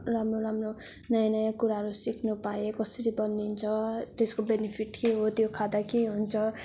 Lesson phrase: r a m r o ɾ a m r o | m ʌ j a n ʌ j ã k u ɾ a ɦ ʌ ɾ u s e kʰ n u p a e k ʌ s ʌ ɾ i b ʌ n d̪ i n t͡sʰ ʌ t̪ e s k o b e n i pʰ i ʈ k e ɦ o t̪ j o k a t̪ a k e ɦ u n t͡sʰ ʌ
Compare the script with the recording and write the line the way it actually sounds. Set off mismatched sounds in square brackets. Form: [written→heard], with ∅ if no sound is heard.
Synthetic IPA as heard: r a m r o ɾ a m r o | [m→n] ʌ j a n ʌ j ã k u ɾ a ɦ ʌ ɾ u s [e→i] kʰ n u p a e k ʌ s ʌ ɾ i b ʌ n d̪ i n t͡sʰ ʌ t̪ e s k o b e n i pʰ i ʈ k e ɦ o t̪ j o [k→kʰ] a [t̪→d̪] a k e ɦ u n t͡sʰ ʌ